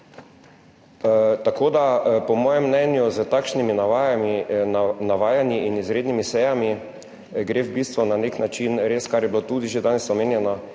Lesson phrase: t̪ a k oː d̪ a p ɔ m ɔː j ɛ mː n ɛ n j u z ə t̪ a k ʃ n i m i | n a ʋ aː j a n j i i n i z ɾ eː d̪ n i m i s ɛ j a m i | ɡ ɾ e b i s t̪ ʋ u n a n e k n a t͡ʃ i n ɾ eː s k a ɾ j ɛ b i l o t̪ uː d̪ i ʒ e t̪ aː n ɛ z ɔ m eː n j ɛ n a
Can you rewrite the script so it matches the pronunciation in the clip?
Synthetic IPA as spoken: t̪ a k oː d̪ a p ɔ m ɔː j ɛ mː n ɛ n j u z ə t̪ a k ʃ n i m i | n a ʋ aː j a n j i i n i z ɾ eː d̪ n i m i s ɛ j a m i | ɡ ɾ e b i s t̪ ʋ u n a n e k n a t͡ʃ i n ɾ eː s k a ɾ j ɛ b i l o t̪ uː d̪ i ʒ e d̪ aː n ɛ s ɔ m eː n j ɛ n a